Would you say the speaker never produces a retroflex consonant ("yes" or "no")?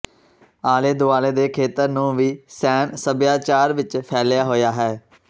yes